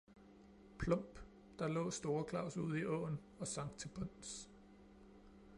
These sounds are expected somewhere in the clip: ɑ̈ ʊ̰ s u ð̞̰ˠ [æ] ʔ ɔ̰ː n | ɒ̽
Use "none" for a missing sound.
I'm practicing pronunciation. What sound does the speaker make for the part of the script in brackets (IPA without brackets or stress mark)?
i